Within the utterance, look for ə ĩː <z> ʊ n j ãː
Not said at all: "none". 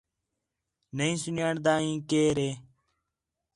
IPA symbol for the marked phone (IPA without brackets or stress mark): s